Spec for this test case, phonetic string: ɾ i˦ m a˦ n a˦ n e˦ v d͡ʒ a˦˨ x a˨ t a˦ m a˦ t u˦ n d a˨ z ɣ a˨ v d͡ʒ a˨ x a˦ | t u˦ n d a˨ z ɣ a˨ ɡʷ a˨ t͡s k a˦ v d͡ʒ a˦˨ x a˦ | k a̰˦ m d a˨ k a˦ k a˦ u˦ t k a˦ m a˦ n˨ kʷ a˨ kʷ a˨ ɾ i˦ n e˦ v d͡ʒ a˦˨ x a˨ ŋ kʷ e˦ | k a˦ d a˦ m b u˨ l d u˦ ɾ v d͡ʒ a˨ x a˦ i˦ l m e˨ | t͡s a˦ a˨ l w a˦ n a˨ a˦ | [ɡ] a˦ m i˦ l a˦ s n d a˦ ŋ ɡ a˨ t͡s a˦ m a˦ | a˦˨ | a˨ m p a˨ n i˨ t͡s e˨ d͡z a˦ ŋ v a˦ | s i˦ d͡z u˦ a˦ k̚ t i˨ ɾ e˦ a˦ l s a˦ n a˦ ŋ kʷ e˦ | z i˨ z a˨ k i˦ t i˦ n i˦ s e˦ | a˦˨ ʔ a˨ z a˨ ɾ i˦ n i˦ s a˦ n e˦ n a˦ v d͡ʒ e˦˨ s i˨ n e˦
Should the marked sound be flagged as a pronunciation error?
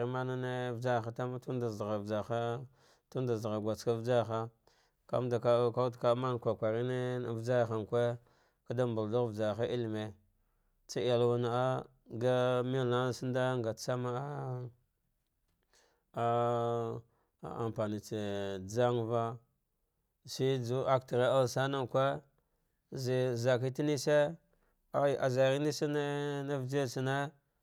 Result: no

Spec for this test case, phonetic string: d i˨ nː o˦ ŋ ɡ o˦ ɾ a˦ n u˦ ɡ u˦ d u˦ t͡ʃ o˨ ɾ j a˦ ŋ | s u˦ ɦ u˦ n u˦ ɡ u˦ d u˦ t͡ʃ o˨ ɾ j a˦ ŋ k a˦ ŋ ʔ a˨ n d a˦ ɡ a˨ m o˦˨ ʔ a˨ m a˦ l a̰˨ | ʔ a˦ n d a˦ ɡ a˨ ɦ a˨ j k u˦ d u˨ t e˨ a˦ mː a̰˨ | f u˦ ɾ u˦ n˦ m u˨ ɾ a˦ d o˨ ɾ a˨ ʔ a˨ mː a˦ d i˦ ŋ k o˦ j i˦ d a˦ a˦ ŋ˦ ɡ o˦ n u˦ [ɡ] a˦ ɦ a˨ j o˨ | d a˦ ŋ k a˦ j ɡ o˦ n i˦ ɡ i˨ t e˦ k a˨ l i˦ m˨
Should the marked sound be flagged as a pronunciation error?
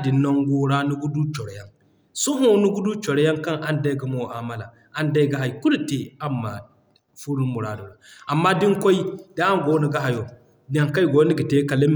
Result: no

